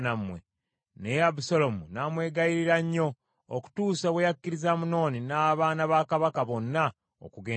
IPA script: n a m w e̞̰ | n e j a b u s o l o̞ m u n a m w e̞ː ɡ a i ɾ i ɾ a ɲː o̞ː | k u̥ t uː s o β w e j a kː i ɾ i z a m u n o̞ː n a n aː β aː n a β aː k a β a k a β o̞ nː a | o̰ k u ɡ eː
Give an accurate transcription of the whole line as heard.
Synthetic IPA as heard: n a m w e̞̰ | n e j a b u s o l o̞ m u n a m w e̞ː ɡ a i ɾ i ɾ a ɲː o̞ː | k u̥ t uː s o β w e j a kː i ɾ i z a m u n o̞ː n i n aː β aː n a β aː k a β a k a β o̞ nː a | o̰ k u ɡ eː